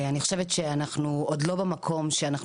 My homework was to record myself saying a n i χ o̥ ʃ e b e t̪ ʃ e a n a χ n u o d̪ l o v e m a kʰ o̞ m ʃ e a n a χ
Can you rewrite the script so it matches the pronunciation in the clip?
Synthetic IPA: a n i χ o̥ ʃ e v e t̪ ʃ e a n a χ n u o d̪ l o b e m a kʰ o̞ m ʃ e a n a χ